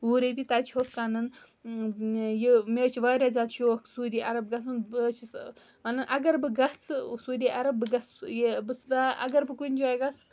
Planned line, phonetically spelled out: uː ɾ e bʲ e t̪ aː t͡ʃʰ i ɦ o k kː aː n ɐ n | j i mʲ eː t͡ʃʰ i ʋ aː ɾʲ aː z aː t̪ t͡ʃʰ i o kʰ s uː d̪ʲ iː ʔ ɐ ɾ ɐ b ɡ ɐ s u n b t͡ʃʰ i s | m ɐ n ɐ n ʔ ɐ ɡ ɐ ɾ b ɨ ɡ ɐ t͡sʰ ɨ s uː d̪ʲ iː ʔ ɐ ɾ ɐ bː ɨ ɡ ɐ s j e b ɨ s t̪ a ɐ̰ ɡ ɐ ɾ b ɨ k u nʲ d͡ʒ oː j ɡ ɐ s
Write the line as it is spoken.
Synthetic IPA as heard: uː ɾ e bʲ i t̪ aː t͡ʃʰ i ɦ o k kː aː n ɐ n | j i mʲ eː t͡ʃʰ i ʋ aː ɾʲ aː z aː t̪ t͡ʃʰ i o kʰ s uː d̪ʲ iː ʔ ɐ ɾ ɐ b ɡ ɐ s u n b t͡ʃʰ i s | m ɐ n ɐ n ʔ ɐ ɡ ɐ ɾ b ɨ ɡ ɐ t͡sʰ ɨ s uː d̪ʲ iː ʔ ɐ ɾ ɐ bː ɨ ɡ ɐ s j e b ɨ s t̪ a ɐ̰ ɡ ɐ ɾ b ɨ k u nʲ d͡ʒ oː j ɡ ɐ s

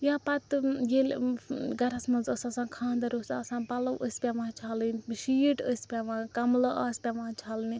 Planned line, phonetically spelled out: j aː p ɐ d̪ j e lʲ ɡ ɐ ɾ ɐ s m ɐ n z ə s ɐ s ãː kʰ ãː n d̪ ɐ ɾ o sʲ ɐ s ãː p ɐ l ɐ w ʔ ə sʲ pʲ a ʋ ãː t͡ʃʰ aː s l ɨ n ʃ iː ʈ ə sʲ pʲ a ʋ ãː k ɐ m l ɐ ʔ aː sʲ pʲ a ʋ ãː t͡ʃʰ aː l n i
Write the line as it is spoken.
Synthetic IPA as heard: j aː p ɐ t̪ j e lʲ ɡ ɐ ɾ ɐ s m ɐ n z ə s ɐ s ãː kʰ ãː n d̪ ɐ ɾ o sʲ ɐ s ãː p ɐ l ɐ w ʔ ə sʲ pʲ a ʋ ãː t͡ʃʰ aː l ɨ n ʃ iː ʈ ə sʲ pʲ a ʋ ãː k ɐ m l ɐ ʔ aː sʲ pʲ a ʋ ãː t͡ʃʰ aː l n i

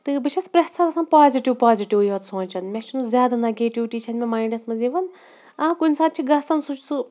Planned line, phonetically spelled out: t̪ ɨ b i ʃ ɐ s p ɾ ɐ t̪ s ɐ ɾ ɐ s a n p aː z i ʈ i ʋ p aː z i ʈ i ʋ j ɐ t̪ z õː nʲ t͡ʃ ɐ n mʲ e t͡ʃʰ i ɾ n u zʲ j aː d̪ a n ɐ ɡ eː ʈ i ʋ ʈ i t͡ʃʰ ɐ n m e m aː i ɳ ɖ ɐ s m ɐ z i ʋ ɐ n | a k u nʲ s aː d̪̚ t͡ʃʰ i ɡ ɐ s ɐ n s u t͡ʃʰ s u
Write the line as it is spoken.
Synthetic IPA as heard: t̪ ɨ b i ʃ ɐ s p ɾ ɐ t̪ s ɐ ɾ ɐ s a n p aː z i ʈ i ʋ p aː z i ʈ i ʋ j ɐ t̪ s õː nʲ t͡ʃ ɐ n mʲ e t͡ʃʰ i n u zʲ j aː d̪ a n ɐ ɡ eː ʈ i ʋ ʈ i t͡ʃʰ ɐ n m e m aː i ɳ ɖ ɐ s m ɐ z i ʋ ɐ n | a k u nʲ s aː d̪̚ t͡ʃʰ i ɡ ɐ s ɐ n s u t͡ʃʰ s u

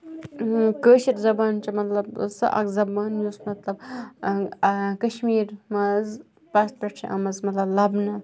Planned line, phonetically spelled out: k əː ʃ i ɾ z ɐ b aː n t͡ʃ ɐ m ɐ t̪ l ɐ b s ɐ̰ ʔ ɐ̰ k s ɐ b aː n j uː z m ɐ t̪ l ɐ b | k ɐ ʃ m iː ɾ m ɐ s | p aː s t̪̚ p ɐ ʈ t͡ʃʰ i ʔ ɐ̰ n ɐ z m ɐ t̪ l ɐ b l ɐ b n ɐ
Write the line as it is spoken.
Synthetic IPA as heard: k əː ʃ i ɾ z ɐ b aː n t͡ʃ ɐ m ɐ t̪ l ɐ b s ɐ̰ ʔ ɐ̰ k z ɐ b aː n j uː s m ɐ t̪ l ɐ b | k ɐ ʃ m iː ɾ m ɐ z | p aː s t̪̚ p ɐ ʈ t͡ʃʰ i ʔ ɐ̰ m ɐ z m ɐ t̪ l ɐ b l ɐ b n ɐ

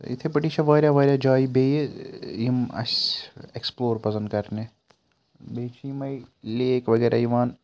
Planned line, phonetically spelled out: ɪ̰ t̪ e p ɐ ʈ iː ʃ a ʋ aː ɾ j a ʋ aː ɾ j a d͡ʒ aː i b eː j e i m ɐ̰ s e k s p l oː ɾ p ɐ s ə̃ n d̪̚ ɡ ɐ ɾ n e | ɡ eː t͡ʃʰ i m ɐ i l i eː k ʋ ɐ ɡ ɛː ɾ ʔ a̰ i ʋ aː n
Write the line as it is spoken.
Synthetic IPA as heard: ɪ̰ t̪ʰ e p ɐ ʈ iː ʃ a ʋ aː ɾ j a ʋ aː ɾ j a d͡ʒ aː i b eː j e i m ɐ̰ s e k s p l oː ɾ p ɐ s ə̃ n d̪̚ k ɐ ɾ n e | b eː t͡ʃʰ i m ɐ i l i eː k ʋ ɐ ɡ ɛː ɾ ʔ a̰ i ʋ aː n

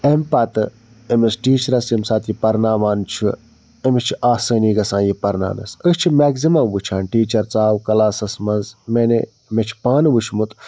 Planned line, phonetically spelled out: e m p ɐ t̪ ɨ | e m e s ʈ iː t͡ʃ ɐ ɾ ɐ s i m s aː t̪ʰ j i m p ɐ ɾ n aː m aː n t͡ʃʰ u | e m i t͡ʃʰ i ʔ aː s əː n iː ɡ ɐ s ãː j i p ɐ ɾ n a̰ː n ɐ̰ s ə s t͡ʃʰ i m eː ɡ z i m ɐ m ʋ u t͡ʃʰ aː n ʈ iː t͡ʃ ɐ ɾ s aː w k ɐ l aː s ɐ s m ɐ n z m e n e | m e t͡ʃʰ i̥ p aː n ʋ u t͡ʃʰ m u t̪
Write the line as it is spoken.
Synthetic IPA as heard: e m p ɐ t̪ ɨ | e m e s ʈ iː t͡ʃ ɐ ɾ ɐ s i m s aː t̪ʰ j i p ɐ ɾ n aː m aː n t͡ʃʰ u | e m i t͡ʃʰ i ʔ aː s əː n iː ɡ ɐ s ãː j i p ɐ ɾ n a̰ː n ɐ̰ s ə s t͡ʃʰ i m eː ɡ z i m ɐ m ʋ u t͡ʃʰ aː n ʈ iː t͡ʃ ɐ ɾ t͡s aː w k ɐ l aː s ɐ s m ɐ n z m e n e | m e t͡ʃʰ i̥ p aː n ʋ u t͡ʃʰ m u t̪

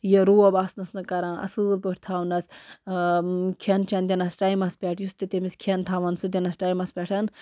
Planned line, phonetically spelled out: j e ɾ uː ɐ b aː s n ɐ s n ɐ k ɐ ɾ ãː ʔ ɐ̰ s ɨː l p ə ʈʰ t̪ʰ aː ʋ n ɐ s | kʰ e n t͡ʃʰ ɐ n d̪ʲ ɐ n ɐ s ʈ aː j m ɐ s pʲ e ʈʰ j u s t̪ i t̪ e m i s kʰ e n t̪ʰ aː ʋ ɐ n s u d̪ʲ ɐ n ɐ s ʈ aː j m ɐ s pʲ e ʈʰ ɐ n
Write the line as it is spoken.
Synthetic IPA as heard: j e ɾ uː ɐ b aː s n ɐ s n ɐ k ɐ ɾ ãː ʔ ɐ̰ s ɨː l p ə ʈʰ t̪ʰ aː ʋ n ɐ s | kʰ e n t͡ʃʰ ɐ n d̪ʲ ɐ n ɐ s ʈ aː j m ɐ s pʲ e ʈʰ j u s t̪ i t̪ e m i s kʰ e n t̪ʰ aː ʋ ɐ n s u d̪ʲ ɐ n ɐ s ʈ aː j m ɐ s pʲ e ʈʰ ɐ n

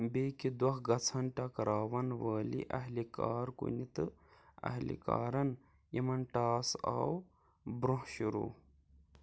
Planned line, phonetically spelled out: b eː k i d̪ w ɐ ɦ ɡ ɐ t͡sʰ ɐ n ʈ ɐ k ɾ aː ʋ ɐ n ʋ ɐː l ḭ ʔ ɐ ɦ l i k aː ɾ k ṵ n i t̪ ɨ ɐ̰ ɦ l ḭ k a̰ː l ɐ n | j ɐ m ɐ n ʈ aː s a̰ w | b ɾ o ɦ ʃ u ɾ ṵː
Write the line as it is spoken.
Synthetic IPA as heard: b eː k i d̪ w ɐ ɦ ɡ ɐ t͡sʰ ɐ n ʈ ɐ k ɾ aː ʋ ɐ n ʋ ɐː l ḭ ʔ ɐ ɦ l i k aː ɾ k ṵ n i t̪ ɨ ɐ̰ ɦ l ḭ k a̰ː ɾ ɐ n | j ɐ m ɐ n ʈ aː s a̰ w | b ɾ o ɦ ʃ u ɾ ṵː

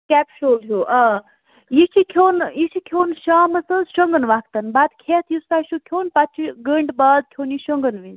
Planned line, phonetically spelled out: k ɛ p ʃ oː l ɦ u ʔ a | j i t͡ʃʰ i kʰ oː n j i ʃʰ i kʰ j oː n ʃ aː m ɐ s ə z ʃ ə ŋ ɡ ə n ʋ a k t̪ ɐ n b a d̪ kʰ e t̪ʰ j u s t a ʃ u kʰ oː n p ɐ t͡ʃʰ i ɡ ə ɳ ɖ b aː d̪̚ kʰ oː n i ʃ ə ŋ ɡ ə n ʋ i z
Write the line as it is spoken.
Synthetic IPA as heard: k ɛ p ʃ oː l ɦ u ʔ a | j i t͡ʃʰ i kʰ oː n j i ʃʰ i kʰ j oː n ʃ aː m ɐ s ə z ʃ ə ŋ ɡ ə n ʋ a k t̪ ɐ n b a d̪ kʰ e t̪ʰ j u s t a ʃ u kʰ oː n p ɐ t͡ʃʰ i ɡ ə ɳ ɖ b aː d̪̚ kʰ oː n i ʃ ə ŋ ɡ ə n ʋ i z

